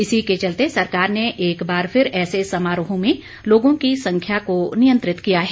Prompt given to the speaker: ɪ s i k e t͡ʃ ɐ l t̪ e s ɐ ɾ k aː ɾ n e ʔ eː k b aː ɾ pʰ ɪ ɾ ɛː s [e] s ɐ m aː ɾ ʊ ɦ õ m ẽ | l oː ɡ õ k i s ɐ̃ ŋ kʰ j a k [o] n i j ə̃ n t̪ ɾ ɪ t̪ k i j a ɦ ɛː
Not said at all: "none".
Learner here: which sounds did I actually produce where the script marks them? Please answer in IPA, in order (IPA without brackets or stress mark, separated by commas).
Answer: e, o